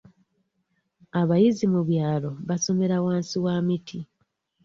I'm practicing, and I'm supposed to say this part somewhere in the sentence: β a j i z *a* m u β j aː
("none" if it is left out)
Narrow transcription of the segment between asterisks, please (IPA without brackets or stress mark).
i